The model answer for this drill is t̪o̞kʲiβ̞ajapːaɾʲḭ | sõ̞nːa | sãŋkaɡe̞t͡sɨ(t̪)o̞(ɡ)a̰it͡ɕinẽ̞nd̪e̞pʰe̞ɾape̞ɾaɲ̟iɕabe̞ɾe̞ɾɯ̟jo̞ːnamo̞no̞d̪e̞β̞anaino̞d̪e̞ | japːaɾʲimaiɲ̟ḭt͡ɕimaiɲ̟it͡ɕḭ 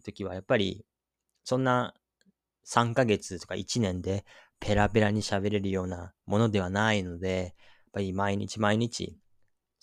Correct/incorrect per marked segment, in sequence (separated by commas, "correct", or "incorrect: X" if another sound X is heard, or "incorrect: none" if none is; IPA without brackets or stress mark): correct, incorrect: k